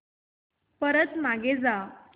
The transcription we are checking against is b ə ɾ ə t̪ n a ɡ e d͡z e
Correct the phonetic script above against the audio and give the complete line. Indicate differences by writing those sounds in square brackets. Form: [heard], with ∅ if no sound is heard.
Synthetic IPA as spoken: [p] ə ɾ ə t̪ [m] a ɡ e d͡z [a]